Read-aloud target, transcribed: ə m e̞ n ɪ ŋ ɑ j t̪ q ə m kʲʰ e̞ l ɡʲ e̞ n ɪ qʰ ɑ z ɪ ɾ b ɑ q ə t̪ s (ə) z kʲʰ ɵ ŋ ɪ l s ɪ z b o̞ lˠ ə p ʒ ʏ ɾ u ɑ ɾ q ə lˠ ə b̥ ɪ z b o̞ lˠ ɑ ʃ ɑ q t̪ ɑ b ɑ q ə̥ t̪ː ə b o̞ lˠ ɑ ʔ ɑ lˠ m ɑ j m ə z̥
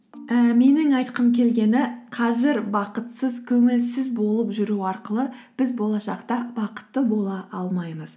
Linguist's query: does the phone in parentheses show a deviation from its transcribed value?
no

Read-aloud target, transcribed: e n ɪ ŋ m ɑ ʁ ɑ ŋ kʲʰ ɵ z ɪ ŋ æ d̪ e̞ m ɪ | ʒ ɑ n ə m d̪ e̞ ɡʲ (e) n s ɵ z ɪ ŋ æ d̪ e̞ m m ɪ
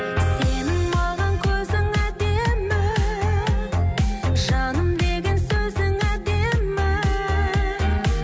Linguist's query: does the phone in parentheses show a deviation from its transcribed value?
no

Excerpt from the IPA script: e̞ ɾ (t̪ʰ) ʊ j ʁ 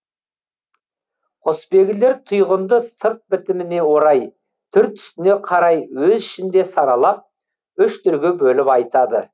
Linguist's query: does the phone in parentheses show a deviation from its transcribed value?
no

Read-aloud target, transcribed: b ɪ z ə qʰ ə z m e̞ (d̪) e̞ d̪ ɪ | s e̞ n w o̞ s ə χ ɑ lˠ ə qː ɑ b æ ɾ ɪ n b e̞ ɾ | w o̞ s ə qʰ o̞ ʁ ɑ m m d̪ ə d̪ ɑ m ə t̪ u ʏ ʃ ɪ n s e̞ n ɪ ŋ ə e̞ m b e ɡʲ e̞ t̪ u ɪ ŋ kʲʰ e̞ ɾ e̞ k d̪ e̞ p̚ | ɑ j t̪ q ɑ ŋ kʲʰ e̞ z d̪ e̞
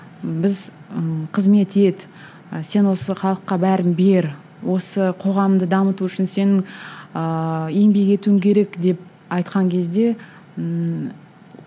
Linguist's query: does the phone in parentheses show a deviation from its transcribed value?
yes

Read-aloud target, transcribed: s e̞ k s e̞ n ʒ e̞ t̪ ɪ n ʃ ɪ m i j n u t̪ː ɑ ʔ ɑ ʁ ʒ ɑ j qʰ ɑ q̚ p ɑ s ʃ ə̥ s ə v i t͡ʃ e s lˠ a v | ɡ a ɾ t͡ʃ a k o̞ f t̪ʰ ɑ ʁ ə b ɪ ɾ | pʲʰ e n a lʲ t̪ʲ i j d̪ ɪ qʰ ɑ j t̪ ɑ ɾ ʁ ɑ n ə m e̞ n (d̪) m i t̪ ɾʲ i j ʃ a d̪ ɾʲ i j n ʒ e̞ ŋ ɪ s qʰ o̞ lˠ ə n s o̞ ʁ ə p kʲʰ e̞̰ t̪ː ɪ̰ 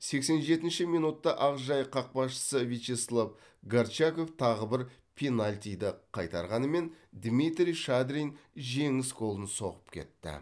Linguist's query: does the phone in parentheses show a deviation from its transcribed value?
no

